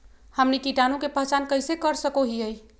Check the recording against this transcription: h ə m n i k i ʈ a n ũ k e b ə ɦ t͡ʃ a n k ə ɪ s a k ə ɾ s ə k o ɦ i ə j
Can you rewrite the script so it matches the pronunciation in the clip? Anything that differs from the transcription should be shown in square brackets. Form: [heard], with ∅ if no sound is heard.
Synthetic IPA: h ə m n i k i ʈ a n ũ k e [p] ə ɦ t͡ʃ a n k ə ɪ s [e] k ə ɾ s ə k o ɦ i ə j